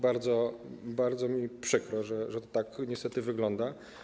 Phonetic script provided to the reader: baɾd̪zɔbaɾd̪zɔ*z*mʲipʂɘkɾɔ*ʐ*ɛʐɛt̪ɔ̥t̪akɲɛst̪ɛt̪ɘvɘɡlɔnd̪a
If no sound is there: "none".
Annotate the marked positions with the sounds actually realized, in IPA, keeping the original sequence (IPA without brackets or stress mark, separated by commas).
none, ʐ